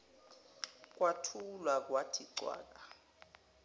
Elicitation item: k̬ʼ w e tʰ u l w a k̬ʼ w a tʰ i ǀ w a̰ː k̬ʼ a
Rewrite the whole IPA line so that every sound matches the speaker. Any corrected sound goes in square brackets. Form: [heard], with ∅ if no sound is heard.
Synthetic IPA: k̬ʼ w [a] tʰ u l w a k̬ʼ w a tʰ i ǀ w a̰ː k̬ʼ a